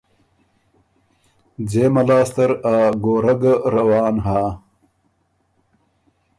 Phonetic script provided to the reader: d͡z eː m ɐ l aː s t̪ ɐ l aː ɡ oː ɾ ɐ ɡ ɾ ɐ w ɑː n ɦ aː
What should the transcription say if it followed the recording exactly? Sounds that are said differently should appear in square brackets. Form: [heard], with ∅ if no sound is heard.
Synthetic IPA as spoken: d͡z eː m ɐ l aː s t̪ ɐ [ɾ] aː ɡ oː ɾ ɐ ɡ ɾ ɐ w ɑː n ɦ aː

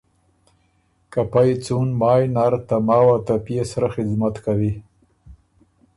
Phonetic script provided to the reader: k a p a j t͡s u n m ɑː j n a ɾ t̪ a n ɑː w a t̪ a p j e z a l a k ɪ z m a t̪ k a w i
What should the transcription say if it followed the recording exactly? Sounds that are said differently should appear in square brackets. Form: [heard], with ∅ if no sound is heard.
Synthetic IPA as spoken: k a p a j t͡s u n m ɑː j n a ɾ t̪ a [m] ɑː w a t̪ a p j e [s] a [ɾ] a [x] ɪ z m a t̪ k a w i

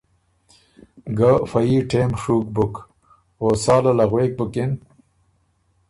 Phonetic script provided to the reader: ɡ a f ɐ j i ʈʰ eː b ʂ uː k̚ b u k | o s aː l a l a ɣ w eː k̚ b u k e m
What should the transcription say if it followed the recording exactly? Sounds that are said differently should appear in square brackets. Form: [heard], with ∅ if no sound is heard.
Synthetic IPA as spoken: ɡ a f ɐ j i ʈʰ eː [m] ʂ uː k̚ b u k | o s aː l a l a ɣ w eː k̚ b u k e [n]

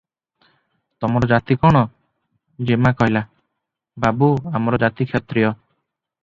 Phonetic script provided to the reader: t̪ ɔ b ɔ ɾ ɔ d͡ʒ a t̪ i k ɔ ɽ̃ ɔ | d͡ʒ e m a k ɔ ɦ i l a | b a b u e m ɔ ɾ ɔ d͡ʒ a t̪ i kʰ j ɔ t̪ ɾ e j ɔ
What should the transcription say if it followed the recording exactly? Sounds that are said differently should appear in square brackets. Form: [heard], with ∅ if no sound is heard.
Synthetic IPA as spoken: t̪ ɔ [m] ɔ ɾ ɔ d͡ʒ a t̪ i k ɔ ɽ̃ ɔ | d͡ʒ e m a k ɔ ɦ i l a | b a b u [a] m ɔ ɾ ɔ d͡ʒ a t̪ i kʰ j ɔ t̪ ɾ [i] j ɔ

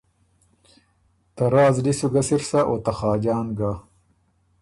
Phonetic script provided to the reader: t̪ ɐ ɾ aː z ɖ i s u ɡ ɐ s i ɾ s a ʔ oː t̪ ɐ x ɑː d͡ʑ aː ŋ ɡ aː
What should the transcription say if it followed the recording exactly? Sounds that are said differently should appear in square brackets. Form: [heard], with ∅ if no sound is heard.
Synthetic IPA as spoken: t̪ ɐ ɾ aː z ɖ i s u ɡ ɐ s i ɾ s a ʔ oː t̪ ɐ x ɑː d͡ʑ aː [n] ɡ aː

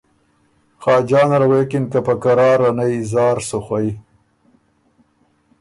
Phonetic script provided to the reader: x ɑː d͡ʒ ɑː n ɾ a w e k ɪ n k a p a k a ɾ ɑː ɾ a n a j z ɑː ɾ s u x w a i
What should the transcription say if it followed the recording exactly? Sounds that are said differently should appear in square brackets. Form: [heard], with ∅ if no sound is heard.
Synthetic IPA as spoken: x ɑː d͡ʒ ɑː n ɾ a w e k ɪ n k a p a k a ɾ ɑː ɾ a n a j z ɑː ɾ s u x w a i

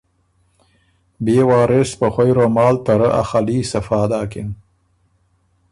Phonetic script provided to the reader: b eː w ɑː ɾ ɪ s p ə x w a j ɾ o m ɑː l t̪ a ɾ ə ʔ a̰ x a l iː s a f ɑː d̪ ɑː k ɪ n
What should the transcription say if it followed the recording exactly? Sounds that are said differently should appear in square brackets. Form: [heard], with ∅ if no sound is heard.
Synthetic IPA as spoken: b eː w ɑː ɾ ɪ s p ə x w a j ɾ o m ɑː l t̪ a ɾ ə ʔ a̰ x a l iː s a f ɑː d̪ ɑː k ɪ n

